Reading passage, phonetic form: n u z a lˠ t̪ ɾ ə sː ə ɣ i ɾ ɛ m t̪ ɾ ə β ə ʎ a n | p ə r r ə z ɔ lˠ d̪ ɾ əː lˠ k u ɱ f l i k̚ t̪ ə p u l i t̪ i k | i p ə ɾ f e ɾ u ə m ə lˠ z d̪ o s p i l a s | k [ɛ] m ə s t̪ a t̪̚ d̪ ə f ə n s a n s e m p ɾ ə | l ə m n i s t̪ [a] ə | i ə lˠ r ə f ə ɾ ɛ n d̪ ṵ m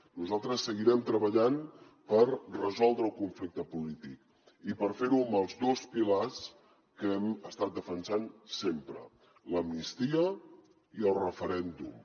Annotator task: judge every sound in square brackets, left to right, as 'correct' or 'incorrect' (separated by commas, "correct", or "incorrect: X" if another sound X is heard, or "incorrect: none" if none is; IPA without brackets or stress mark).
correct, incorrect: i